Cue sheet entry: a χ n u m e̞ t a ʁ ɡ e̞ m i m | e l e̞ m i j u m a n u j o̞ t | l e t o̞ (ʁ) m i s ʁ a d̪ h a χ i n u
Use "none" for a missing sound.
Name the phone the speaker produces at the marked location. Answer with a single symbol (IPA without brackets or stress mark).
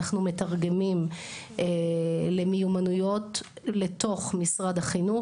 χ